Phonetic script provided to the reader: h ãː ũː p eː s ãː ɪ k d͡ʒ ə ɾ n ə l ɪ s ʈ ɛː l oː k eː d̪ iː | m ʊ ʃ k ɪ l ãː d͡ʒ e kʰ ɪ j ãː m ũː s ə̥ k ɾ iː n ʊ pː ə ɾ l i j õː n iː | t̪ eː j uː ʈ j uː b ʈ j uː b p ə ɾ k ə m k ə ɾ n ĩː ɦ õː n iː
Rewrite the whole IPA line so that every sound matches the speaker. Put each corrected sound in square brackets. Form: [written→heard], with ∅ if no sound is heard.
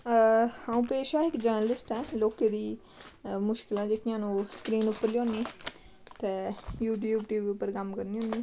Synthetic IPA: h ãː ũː p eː [s→ʃ] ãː ɪ k d͡ʒ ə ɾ n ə l ɪ s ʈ ɛː l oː k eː d̪ iː | m ʊ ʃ k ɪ l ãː d͡ʒ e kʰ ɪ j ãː [m→n] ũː s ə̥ k ɾ iː n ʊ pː ə ɾ l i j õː n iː | t̪ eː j uː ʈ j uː b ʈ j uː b p ə ɾ k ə m k ə ɾ n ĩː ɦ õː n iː